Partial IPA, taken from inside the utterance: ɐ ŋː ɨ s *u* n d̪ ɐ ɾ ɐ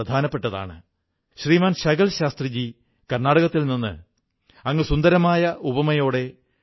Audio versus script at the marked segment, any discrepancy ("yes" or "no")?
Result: no